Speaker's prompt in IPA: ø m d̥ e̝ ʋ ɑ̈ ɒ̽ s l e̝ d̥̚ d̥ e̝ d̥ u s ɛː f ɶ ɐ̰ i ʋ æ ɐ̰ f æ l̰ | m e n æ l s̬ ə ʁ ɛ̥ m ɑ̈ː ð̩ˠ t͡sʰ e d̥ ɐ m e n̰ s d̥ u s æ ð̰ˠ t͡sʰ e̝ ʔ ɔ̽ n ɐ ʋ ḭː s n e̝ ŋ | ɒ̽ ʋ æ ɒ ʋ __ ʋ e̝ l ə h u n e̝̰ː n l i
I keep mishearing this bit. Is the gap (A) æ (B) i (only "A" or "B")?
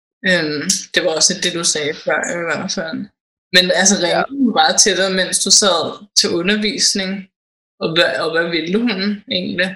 A